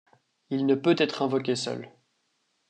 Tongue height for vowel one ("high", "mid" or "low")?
high